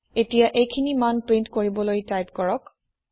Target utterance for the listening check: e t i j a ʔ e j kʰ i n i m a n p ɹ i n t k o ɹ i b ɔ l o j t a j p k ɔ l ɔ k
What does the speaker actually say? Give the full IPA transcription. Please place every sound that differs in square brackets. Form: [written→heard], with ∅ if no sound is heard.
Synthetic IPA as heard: e t i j a ʔ e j kʰ i n i m a n p ɹ i n t k o ɹ i b ɔ l o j t a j p k ɔ [l→ɹ] ɔ k